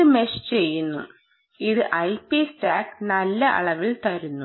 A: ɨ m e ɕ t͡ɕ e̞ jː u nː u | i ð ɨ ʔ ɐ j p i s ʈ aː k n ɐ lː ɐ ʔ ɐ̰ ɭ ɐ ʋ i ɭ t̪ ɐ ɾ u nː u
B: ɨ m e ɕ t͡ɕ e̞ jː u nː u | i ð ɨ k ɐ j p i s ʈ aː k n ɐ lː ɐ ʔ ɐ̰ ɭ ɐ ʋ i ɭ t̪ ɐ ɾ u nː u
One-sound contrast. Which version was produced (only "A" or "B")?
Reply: A